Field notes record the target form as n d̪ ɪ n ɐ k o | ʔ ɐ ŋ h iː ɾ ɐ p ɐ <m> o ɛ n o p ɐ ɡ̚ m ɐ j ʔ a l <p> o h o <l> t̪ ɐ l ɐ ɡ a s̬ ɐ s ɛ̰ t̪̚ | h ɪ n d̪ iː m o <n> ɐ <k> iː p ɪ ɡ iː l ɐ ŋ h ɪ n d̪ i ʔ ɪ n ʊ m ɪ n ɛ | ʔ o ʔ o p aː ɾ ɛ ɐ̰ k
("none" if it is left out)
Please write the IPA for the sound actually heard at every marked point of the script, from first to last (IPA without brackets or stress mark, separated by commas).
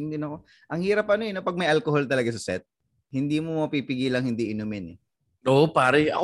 n, k, l, m, p